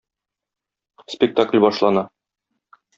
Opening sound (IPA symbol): s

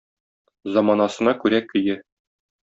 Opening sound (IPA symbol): z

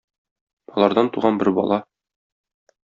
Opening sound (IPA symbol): ɒ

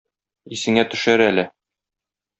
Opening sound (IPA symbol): i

